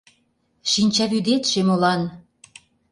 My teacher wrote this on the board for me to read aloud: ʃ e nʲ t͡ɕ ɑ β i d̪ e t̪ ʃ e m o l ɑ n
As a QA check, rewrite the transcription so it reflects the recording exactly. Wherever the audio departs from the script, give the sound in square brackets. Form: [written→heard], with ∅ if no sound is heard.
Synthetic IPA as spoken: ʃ [e→i] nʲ t͡ɕ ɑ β [i→y] d̪ e t̪ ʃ e m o l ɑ n